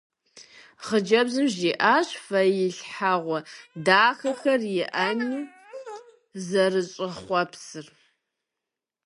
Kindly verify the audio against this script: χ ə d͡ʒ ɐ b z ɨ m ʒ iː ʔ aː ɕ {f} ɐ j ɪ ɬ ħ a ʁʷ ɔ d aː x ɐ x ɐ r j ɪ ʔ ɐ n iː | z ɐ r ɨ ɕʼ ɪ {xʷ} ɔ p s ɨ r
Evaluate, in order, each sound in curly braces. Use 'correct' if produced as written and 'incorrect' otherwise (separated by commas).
correct, incorrect